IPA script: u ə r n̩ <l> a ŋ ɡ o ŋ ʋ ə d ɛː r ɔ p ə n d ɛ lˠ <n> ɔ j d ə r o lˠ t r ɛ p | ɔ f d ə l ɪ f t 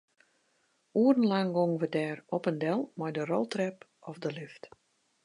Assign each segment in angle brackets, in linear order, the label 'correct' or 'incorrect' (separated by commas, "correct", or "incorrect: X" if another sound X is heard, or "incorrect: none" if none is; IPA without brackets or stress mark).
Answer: correct, incorrect: m